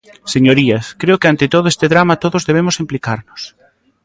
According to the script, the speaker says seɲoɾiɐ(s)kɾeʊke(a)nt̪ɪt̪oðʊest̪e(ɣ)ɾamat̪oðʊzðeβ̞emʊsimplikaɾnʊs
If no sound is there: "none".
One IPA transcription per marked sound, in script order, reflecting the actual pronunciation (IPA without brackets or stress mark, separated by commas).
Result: s, a, ð